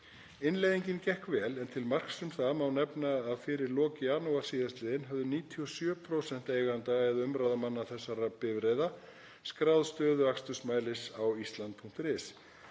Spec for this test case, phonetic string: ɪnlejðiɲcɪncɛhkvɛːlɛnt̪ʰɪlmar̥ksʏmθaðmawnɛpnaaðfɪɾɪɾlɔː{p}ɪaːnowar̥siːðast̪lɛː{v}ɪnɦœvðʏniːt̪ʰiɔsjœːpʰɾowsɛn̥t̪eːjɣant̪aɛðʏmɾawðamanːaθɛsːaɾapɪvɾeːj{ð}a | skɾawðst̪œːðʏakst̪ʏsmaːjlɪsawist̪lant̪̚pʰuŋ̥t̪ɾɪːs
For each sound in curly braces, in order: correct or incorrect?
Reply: incorrect: c, incorrect: ð, correct

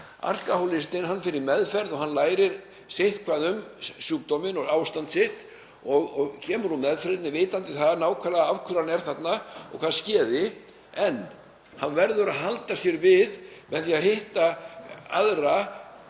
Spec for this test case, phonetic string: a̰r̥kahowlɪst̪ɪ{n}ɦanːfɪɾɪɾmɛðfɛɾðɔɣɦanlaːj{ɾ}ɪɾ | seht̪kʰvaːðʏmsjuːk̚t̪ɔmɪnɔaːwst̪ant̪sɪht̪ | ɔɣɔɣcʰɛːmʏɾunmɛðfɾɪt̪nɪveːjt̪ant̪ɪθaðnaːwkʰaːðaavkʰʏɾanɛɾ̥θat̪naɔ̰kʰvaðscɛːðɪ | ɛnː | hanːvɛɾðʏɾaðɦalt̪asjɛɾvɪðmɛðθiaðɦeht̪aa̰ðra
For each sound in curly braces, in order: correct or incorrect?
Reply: correct, correct

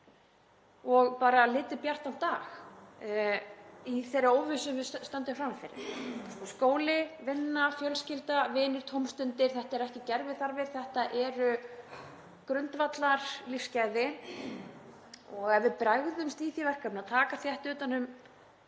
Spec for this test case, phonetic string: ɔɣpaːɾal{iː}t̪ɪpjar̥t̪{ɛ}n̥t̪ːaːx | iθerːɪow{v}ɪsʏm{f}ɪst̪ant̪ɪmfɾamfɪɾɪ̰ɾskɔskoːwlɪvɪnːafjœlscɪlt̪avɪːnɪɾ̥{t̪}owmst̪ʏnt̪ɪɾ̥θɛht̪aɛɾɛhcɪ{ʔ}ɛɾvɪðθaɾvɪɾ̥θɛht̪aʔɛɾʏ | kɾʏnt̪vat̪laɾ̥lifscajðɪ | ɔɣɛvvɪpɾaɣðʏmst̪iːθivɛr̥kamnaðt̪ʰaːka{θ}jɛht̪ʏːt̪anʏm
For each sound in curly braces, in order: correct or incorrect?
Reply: incorrect: ɪː, incorrect: a, correct, incorrect: v, incorrect: t̪ʰ, incorrect: c, correct

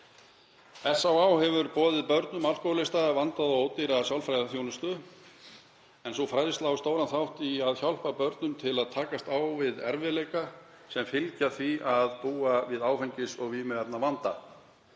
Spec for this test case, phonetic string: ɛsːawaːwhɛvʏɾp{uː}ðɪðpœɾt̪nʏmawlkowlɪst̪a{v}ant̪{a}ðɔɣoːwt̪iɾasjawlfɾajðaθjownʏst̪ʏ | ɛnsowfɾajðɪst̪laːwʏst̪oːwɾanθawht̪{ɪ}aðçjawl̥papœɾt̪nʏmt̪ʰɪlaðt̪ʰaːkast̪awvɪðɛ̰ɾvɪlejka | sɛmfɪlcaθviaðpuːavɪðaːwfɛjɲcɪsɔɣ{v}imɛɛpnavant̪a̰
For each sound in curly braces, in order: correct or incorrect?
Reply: incorrect: ɔː, correct, correct, incorrect: i, correct

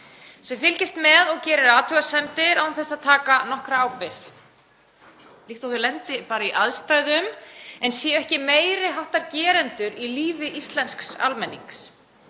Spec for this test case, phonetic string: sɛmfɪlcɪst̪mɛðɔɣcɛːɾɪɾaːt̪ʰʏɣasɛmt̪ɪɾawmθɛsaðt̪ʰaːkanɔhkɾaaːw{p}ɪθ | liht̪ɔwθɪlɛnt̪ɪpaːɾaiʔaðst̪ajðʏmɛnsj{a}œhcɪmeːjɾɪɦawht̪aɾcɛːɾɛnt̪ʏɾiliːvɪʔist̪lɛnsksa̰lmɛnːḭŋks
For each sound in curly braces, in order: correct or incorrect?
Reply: correct, incorrect: ɛ

